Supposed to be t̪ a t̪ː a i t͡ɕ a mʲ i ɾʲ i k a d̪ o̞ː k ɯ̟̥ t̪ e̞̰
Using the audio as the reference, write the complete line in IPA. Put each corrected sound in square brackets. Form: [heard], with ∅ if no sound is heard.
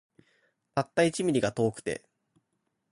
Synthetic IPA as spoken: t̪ a t̪ː a i t͡ɕ [i] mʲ i ɾʲ i [ɡ] a [t̪] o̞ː k ɯ̟̥ t̪ e̞̰